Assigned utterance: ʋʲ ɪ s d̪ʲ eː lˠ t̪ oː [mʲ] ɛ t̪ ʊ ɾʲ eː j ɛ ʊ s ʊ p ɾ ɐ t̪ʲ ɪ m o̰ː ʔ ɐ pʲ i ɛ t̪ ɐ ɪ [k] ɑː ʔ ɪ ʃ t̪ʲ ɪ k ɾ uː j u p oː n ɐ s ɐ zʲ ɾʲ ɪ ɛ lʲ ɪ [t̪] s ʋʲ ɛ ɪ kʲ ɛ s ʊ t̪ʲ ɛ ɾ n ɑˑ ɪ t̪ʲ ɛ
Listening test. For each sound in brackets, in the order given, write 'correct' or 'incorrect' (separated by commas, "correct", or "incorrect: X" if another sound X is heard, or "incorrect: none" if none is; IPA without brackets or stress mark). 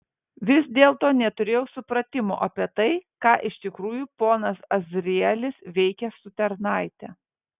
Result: incorrect: nʲ, correct, incorrect: none